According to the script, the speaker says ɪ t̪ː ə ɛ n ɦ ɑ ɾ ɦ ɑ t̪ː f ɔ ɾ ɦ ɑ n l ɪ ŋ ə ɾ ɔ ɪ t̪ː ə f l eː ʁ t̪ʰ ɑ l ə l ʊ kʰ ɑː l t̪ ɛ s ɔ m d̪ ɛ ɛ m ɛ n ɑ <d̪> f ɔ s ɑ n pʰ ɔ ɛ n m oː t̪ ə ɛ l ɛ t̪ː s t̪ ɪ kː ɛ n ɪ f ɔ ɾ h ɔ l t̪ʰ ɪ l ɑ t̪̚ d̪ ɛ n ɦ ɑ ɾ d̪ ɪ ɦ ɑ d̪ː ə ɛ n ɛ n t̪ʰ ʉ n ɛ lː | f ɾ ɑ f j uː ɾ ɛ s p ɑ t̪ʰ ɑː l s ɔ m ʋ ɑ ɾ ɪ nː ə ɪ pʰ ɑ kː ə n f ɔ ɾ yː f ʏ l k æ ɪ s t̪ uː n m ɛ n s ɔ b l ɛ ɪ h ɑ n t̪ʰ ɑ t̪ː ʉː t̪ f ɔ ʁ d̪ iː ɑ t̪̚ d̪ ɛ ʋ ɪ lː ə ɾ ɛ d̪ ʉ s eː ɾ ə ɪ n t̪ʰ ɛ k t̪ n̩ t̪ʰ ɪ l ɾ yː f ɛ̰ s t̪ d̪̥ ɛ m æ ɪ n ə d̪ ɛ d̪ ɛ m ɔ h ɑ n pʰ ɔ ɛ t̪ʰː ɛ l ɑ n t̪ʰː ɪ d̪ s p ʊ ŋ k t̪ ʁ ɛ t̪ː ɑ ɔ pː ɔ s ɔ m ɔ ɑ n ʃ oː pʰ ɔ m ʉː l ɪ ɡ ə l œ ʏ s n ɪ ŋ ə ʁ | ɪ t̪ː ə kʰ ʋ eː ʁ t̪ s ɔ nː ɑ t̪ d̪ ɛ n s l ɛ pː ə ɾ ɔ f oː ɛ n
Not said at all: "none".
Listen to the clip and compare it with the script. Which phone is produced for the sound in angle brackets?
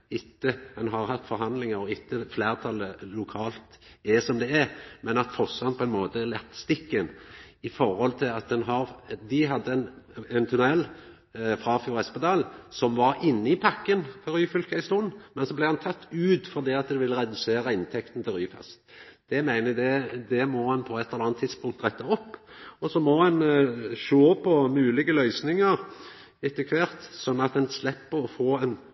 t̪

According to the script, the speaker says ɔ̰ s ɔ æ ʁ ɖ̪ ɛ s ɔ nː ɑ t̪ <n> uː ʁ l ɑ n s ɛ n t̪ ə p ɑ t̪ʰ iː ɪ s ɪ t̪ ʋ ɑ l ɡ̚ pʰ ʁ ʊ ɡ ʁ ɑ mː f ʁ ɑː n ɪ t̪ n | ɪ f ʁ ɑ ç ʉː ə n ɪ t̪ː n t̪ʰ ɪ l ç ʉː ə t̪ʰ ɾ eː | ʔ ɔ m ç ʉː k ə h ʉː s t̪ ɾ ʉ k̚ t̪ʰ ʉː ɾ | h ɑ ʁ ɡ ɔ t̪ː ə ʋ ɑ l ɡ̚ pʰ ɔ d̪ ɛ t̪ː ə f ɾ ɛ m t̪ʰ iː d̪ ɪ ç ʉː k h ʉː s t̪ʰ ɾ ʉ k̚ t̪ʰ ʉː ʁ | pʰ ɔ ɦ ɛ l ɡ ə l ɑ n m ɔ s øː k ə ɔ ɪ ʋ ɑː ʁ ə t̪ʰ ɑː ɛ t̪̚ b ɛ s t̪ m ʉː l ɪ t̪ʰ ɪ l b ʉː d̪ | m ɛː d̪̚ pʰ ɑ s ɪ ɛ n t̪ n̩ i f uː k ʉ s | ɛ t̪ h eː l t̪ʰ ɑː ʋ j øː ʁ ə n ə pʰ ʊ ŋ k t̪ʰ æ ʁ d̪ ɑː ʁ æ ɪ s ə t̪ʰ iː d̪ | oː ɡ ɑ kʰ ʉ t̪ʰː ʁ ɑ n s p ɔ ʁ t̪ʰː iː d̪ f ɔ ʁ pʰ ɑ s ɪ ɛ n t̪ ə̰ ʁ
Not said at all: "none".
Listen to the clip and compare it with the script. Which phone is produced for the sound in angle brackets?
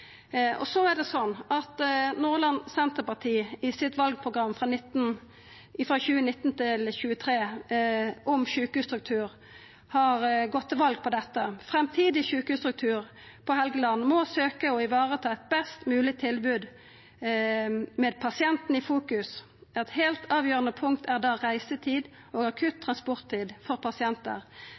n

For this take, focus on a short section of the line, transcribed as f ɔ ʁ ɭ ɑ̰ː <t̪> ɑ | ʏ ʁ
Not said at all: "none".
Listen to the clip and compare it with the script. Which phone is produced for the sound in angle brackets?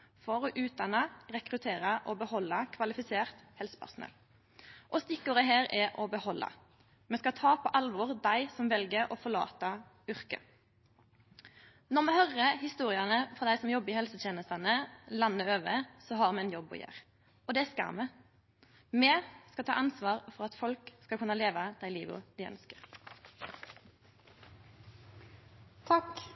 t̪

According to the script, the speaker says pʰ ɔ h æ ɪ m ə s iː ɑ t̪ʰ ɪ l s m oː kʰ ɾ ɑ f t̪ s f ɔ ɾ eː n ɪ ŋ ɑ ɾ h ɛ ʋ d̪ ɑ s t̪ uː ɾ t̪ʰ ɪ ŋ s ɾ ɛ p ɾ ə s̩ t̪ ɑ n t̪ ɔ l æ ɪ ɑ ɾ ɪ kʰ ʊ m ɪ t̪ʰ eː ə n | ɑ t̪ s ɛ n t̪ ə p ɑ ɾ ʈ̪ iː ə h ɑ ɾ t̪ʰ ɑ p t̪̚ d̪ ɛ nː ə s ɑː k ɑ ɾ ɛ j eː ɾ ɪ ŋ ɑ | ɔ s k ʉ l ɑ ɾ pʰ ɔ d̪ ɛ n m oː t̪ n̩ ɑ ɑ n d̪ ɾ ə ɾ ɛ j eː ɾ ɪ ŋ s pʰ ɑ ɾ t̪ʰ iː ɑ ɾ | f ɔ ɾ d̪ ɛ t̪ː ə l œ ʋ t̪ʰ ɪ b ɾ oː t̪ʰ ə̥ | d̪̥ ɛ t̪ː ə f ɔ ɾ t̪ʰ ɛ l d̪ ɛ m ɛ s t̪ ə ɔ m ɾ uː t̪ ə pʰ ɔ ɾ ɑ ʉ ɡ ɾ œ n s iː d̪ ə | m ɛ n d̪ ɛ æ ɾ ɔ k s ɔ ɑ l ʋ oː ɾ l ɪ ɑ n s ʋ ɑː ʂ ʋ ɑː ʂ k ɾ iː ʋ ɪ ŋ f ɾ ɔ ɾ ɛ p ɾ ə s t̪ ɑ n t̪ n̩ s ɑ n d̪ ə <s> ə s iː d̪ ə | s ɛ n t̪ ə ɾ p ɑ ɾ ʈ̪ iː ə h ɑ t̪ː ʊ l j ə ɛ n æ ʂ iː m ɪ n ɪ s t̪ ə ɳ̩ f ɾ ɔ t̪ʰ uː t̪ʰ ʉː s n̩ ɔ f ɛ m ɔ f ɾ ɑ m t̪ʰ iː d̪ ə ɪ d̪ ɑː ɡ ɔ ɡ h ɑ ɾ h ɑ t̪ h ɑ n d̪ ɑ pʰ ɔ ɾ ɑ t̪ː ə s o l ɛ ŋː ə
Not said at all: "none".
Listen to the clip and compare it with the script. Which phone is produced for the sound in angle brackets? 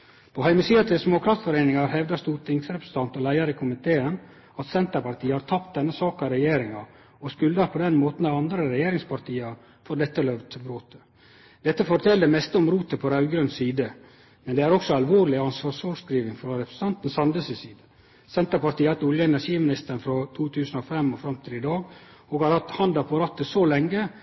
s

